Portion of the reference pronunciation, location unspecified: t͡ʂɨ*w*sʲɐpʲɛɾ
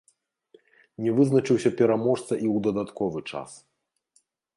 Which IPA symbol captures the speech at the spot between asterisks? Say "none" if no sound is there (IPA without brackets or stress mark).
w